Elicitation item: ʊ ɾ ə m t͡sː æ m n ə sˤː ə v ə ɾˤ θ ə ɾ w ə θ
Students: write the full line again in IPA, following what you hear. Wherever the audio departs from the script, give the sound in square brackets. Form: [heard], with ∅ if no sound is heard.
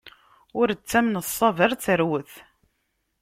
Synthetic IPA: ʊ ɾ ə [∅] t͡sː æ m n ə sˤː [ɑ] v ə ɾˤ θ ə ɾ w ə θ